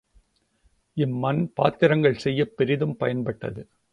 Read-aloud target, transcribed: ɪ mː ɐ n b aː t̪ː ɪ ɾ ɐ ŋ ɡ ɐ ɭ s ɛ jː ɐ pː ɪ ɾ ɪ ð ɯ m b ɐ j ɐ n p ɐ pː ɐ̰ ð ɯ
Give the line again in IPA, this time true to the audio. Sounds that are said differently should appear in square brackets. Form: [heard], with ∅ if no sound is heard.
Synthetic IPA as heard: ɪ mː ɐ n [p] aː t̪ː ɪ ɾ ɐ ŋ ɡ ɐ ɭ s ɛ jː ɐ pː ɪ ɾ ɪ ð ɯ m [p] ɐ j ɐ n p ɐ [ʈː] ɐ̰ ð ɯ

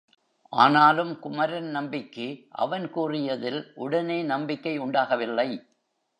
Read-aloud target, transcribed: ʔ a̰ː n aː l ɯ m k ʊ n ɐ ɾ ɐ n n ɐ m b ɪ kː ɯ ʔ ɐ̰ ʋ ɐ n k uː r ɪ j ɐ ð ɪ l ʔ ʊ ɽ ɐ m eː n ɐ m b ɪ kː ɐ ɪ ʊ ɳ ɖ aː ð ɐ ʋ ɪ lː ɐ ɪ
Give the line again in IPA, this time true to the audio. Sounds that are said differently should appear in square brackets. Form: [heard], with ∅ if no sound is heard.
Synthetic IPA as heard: ʔ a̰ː n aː l ɯ m k ʊ [m] ɐ ɾ ɐ n n ɐ m b ɪ kː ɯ ʔ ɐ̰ ʋ ɐ n k uː r ɪ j ɐ ð ɪ l ʔ ʊ ɽ ɐ [n] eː n ɐ m b ɪ kː ɐ ɪ ʊ ɳ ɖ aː [ɣ] ɐ ʋ ɪ lː ɐ ɪ

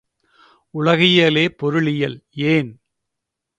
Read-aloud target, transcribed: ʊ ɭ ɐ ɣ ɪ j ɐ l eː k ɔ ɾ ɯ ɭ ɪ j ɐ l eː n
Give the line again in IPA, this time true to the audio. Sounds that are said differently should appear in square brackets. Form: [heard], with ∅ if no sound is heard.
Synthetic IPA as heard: ʊ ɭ ɐ ɣ ɪ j ɐ l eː [p] ɔ ɾ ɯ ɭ ɪ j ɐ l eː n

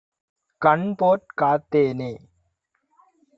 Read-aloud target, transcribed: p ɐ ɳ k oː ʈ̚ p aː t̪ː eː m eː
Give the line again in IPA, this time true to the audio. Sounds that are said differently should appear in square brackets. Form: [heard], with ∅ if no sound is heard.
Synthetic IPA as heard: [k] ɐ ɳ [p] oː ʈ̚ [k] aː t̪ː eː [n] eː

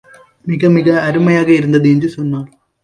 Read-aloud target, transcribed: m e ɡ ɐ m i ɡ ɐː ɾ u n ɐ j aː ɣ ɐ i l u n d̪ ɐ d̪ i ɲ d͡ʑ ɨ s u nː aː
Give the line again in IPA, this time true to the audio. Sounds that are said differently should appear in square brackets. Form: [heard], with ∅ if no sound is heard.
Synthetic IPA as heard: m [i] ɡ ɐ m i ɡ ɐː ɾ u [m] ɐ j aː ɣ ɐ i [ɾ] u n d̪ ɐ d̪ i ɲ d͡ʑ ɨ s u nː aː

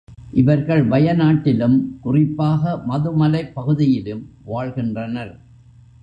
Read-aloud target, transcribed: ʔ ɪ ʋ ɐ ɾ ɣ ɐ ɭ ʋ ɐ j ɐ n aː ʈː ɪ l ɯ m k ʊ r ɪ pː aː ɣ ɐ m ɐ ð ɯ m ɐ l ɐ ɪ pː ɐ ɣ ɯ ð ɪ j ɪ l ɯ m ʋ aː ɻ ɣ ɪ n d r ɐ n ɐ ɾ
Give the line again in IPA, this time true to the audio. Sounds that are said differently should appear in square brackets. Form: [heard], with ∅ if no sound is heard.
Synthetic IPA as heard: ʔ ɪ ʋ ɐ ɾ ɣ ɐ ɭ ʋ ɐ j ɐ n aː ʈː ɪ l ɯ m k ʊ r ɪ pː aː ɣ ɐ m ɐ ð ɯ m ɐ l ɐ ɪ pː ɐ ɣ ɯ ð ɪ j ɪ l ɯ m ʋ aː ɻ ɣ ɪ n d r ɐ n ɐ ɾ

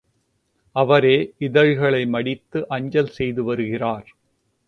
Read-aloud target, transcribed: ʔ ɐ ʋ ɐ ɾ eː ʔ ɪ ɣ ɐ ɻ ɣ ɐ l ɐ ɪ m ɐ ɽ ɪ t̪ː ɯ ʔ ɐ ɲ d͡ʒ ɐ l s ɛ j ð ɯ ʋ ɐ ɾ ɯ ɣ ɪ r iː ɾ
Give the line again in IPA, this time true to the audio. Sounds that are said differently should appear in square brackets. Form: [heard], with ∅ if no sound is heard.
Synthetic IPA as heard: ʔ ɐ ʋ ɐ ɾ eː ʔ ɪ [ð] ɐ ɻ ɣ ɐ [ɭ] ɐ ɪ m ɐ ɽ ɪ t̪ː ɯ ʔ ɐ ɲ d͡ʒ ɐ l s ɛ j ð ɯ ʋ ɐ ɾ ɯ ɣ ɪ r [aː] ɾ

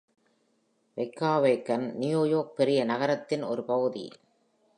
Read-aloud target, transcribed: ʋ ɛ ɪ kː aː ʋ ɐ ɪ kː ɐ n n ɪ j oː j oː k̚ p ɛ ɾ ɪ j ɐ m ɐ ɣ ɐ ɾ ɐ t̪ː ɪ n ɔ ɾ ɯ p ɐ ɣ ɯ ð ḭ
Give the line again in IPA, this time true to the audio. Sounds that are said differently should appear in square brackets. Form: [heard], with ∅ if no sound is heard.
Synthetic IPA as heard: ʋ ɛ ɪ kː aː ʋ ɐ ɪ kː ɐ n n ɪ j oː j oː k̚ p ɛ ɾ ɪ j ɐ [n] ɐ ɣ ɐ ɾ ɐ t̪ː ɪ n ɔ ɾ ɯ p ɐ ɣ ɯ ð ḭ

